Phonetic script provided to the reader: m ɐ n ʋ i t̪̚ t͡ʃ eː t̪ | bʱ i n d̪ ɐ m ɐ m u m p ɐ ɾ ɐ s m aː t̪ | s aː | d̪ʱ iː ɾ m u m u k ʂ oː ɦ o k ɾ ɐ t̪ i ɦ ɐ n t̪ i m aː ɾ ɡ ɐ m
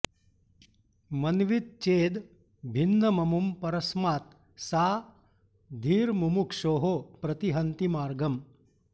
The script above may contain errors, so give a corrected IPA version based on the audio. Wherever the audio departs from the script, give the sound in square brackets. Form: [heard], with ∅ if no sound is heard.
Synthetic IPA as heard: m ɐ n ʋ i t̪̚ t͡ʃ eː [d̪] | bʱ i n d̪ ɐ m ɐ m u m p ɐ ɾ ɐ s m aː t̪ | s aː | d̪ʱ iː ɾ m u m u k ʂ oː ɦ o [p] ɾ ɐ t̪ i ɦ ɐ n t̪ i m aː ɾ ɡ ɐ m